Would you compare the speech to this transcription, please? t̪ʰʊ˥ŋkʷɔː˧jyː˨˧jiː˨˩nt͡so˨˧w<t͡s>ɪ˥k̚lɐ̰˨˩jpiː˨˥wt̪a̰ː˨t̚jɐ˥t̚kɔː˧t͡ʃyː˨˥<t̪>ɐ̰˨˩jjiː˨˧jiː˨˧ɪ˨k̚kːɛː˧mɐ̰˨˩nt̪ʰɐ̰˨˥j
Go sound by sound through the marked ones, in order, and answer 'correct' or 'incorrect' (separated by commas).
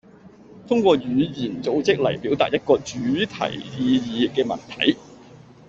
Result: correct, incorrect